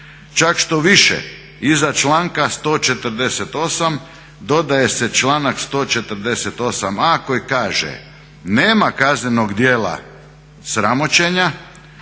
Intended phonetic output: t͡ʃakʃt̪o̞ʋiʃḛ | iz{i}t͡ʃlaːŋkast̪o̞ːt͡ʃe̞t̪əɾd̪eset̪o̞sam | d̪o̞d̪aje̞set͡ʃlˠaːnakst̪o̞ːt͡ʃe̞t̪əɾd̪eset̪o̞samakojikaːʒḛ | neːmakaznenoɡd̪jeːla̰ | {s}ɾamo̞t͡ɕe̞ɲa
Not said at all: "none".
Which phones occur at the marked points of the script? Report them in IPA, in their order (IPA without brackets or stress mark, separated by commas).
a, s